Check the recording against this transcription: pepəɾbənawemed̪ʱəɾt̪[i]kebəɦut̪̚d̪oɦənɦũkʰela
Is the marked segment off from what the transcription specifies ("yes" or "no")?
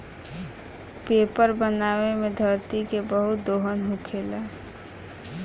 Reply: no